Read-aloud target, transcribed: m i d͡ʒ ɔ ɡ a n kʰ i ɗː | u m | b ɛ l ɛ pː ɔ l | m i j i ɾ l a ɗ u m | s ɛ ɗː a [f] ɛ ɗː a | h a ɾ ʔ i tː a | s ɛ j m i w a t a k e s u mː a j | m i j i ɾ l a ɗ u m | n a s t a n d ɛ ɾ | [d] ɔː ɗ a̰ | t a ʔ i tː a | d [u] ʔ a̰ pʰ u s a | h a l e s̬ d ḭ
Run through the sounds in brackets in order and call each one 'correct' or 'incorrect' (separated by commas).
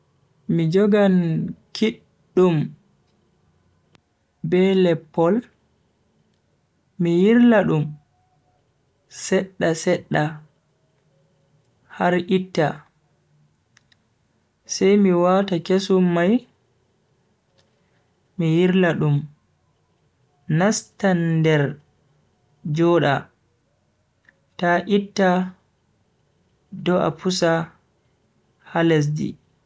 incorrect, incorrect, incorrect